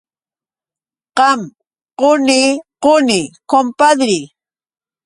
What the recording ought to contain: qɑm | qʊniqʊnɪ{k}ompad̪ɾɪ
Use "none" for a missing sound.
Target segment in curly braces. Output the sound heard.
k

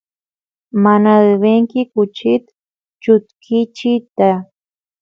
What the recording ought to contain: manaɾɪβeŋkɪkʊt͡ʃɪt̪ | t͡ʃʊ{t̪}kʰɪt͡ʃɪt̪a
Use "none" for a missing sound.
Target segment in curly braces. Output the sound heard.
t̪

